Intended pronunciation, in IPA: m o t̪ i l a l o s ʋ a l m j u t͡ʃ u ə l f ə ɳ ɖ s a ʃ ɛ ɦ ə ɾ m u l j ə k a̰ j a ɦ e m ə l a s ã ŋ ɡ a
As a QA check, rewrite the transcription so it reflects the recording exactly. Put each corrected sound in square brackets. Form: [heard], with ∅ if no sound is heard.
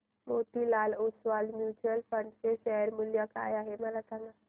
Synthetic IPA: m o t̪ i l a l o s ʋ a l m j u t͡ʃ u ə l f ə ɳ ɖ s [e] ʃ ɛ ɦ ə ɾ m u l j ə k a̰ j a ɦ e m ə l a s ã ŋ ɡ a